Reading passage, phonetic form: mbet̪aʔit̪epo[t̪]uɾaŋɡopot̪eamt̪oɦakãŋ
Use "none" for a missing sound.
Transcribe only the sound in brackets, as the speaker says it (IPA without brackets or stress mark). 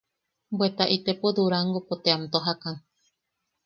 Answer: d̪